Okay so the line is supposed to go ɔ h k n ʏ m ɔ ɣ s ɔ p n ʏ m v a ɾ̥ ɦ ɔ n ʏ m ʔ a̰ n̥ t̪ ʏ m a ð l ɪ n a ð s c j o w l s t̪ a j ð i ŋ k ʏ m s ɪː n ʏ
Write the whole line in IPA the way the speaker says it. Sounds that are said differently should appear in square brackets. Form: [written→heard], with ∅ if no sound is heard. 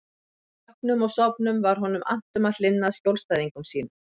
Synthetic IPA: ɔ h k n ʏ m ɔ ɣ s ɔ p n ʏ m v a ɾ̥ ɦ ɔ n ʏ m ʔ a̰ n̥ t̪ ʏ m a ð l ɪ [n→nː] a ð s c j o w l s t̪ a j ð i ŋ k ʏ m s [ɪː→iː] n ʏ